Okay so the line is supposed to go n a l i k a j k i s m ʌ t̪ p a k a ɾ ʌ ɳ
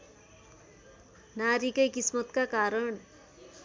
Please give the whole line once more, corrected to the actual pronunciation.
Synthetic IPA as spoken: n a ɾ i k ʌ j k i s m ʌ t̪ k a k a ɾ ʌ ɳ